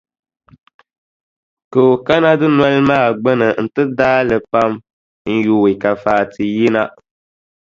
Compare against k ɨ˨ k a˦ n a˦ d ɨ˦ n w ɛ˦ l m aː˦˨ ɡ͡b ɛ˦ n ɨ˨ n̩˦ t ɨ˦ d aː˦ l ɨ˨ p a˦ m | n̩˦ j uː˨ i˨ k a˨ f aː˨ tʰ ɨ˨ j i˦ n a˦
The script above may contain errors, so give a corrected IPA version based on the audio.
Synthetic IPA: k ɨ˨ k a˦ n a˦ d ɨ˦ n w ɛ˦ l m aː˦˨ ɡ͡b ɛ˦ n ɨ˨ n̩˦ t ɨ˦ d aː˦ l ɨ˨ p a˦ m | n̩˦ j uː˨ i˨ k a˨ f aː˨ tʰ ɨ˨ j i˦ n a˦